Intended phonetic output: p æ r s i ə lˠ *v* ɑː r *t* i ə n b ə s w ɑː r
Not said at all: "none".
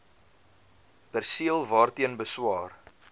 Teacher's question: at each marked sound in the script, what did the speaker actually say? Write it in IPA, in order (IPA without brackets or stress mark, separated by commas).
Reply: v, t